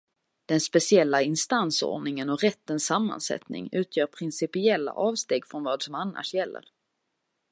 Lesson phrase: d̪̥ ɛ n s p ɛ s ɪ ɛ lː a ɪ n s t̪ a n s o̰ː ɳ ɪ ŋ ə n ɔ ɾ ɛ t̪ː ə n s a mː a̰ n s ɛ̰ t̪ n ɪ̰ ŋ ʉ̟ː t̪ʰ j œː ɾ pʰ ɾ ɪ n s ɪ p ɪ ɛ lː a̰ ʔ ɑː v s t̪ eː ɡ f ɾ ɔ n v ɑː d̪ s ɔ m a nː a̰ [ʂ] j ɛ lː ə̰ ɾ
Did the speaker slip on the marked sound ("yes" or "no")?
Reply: no